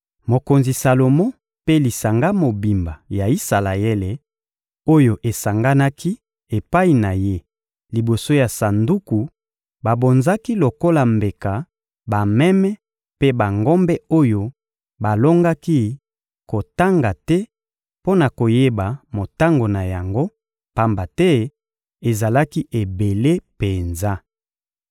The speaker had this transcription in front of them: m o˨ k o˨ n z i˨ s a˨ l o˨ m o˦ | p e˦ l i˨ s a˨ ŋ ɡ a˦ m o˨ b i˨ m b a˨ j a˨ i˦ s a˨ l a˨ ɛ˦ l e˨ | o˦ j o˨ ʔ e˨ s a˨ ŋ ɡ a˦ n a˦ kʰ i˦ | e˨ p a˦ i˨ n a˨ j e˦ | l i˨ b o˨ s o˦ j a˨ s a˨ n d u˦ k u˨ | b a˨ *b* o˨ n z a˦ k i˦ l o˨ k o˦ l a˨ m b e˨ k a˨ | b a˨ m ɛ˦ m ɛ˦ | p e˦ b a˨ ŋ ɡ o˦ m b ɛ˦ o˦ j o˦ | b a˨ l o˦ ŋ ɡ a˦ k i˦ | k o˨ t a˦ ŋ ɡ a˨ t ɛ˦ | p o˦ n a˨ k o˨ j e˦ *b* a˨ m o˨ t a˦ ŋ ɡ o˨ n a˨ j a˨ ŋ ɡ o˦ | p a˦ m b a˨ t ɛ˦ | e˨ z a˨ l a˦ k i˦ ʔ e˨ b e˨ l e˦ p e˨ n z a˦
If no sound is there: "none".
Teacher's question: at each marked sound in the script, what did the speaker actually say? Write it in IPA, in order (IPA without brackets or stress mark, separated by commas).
b, b